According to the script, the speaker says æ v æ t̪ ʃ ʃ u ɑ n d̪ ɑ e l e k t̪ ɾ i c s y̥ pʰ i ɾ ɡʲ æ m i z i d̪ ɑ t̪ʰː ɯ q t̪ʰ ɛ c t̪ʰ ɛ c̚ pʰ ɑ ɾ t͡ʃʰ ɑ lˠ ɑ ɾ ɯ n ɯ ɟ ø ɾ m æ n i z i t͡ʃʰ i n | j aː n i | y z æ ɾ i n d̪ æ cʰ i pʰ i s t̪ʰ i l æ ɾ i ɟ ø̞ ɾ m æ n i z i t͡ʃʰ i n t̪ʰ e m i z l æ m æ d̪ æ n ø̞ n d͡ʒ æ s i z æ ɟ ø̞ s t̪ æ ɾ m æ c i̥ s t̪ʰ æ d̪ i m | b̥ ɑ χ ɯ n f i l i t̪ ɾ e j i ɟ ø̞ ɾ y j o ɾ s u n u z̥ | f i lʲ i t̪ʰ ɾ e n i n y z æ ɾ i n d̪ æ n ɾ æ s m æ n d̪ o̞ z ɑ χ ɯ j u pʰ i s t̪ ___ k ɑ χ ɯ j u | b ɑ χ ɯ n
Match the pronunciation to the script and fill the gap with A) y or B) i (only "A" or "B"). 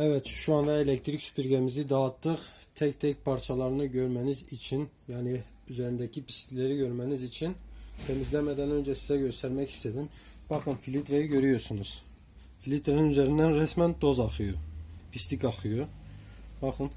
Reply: B